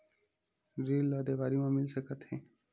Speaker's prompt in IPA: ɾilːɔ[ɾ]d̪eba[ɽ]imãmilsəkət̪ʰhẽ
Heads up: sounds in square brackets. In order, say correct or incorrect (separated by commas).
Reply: incorrect, incorrect